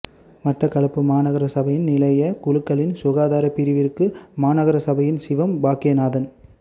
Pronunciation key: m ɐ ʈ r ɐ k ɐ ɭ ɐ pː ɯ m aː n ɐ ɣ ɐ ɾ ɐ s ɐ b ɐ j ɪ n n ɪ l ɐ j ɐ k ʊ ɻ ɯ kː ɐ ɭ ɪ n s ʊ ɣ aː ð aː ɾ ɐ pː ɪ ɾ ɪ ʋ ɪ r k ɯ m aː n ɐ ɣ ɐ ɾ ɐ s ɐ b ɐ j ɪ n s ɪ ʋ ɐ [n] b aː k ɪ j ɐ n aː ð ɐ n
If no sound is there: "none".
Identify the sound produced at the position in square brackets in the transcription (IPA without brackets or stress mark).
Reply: m